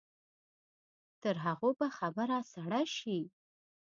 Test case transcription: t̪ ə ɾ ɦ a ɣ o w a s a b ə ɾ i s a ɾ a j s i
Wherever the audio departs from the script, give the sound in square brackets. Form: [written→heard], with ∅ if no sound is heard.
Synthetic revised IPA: t̪ ə ɾ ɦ a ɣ o [w→b] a [s→x] a b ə ɾ [i→a] s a [ɾ→ɽ] a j [s→ʃ] i